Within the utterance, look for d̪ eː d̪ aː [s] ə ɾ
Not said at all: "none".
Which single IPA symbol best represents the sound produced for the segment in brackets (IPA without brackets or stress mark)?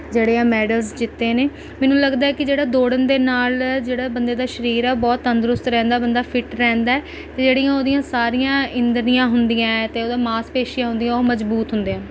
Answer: ʃ